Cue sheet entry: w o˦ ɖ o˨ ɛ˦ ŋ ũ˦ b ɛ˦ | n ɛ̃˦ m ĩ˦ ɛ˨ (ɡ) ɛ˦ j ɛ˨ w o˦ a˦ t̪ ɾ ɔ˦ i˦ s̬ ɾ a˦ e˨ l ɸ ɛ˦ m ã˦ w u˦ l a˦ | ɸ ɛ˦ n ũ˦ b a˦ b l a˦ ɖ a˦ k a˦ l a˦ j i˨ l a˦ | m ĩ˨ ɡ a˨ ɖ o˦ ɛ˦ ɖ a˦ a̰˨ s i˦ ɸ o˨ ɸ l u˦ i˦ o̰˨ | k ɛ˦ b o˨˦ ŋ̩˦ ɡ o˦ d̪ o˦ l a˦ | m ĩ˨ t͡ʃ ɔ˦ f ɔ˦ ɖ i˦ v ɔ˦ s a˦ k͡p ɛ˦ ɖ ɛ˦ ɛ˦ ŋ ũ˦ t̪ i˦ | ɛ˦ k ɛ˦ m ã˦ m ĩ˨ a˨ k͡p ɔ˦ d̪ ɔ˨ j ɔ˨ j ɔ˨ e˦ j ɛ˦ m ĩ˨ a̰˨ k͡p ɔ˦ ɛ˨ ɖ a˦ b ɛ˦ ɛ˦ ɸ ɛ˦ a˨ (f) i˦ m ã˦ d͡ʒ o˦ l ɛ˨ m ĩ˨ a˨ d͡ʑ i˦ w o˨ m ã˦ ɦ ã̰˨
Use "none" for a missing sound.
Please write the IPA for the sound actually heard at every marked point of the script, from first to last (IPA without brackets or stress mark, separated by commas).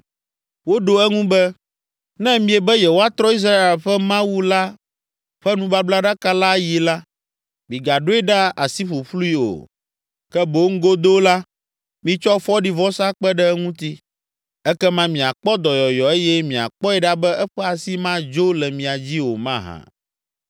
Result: b, s